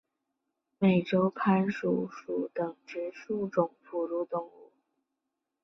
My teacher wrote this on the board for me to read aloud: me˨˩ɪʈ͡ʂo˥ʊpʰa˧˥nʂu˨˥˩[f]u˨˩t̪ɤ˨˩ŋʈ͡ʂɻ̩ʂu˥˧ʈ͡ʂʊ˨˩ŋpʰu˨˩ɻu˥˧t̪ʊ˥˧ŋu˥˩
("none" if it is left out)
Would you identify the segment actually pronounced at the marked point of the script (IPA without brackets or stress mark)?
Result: ʂ